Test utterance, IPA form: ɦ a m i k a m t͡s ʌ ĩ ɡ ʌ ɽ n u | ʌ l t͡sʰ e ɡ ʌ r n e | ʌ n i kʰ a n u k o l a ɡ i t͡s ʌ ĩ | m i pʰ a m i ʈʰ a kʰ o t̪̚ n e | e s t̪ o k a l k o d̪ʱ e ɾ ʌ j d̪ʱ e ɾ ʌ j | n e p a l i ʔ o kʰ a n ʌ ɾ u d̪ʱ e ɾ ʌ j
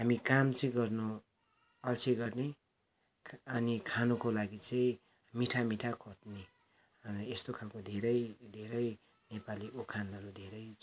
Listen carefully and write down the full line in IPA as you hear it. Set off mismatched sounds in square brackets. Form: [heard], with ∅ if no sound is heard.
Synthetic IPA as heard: ɦ a m i k a m t͡s ʌ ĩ ɡ ʌ [r] n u | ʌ l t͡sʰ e ɡ ʌ r n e | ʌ n i kʰ a n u k o l a ɡ i t͡s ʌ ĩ | m i [ʈʰ] a m i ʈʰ a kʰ o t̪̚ n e | e s t̪ o [kʰ] a l k o d̪ʱ e ɾ ʌ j d̪ʱ e ɾ ʌ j | n e p a l i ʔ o kʰ a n ʌ ɾ u d̪ʱ e ɾ ʌ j